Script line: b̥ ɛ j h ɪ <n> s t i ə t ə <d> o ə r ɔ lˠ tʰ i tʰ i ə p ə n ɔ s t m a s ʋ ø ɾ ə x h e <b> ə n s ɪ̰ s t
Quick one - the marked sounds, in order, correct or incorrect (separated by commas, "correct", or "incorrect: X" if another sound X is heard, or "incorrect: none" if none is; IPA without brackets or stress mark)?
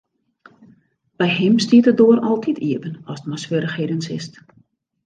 incorrect: m, correct, incorrect: d